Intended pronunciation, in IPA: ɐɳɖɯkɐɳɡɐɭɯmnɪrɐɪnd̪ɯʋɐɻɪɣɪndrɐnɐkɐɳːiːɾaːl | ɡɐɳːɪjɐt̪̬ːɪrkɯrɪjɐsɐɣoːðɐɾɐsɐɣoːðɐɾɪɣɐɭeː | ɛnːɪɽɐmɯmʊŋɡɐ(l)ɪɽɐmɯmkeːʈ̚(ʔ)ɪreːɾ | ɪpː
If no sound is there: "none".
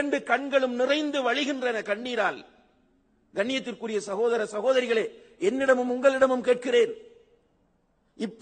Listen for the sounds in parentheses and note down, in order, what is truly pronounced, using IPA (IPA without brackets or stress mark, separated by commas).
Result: ɭ, k